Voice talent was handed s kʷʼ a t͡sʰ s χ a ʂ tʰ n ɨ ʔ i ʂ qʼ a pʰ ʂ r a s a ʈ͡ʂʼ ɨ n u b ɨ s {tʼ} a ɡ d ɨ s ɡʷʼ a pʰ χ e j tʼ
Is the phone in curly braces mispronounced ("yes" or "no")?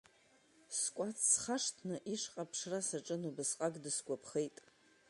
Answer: yes